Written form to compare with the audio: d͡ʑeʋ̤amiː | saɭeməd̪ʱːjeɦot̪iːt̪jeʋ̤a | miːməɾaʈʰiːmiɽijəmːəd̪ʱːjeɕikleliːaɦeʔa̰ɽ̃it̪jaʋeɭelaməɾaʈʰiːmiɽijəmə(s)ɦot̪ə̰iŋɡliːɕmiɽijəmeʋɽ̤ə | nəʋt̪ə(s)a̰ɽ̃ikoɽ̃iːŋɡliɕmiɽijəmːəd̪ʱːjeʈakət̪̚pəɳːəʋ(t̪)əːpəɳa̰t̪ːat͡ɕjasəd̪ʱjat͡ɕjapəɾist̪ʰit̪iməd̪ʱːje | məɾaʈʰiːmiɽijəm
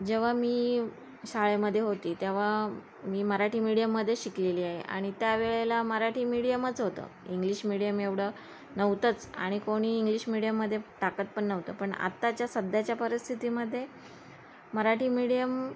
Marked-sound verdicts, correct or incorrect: incorrect, incorrect, correct

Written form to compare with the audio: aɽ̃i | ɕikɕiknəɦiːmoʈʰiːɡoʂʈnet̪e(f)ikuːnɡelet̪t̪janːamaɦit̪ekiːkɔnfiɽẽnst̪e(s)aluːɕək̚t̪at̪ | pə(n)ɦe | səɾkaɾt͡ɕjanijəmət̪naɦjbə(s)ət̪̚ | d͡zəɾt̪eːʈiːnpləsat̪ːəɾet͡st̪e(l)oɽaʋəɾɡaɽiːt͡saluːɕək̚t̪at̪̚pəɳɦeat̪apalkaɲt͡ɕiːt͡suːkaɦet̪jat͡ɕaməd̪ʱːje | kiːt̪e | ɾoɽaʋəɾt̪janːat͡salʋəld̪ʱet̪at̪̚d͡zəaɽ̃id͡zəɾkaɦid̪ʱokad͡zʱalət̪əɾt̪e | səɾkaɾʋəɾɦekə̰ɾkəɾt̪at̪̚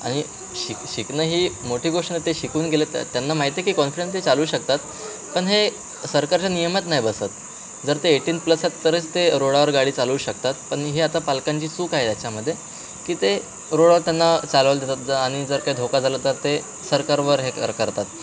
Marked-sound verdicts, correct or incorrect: incorrect, incorrect, incorrect, correct, incorrect

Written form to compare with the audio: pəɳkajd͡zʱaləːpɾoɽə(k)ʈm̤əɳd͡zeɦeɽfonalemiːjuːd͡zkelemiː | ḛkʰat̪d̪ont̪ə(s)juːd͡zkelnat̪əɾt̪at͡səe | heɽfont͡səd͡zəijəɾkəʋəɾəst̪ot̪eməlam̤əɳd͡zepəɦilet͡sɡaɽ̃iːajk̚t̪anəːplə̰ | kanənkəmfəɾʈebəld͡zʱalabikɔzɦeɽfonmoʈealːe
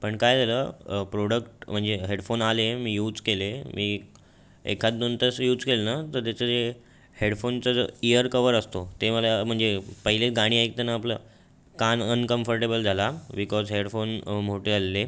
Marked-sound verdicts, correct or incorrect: correct, correct

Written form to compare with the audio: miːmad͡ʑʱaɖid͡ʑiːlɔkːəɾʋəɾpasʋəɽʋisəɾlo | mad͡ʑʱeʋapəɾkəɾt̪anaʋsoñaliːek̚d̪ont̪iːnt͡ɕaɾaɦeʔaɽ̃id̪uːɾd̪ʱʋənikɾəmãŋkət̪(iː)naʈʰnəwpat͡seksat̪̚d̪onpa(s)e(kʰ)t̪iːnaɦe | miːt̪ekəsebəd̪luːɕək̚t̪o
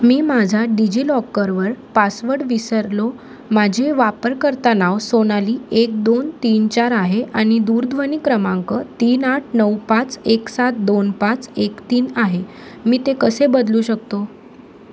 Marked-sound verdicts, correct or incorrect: correct, incorrect, incorrect

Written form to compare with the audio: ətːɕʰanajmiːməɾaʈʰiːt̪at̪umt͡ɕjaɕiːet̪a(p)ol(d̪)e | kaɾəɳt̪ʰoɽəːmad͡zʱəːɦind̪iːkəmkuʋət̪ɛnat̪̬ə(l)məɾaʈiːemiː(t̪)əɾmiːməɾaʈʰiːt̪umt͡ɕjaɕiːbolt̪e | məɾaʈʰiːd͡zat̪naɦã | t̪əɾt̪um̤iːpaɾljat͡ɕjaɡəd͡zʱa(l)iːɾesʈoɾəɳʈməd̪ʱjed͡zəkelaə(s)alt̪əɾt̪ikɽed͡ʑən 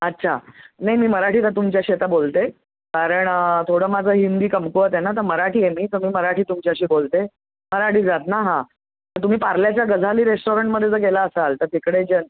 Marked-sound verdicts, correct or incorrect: incorrect, incorrect, incorrect, correct, correct, correct

